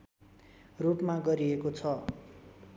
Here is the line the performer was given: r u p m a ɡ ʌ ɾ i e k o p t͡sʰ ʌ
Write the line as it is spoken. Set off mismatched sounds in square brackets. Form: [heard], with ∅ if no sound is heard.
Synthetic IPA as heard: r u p m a ɡ ʌ ɾ i e k o [∅] t͡sʰ ʌ